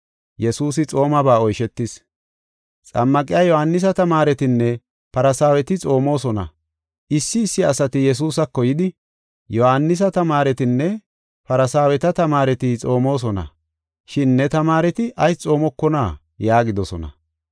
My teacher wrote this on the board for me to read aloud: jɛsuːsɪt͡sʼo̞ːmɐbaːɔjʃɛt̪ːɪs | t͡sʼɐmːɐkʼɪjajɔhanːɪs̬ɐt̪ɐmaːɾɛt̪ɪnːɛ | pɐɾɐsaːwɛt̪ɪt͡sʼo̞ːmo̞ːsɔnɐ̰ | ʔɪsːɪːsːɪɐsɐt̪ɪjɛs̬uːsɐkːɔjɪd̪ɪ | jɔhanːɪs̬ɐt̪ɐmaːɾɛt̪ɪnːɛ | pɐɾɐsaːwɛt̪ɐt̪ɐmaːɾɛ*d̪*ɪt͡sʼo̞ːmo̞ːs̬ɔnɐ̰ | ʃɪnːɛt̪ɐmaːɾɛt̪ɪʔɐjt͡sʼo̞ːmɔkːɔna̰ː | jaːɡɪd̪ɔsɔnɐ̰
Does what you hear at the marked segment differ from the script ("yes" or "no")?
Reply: yes